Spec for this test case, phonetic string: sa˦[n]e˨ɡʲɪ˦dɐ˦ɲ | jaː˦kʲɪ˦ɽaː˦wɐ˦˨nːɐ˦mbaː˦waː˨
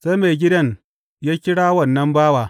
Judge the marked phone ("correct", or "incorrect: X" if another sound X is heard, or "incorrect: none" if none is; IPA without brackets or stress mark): incorrect: m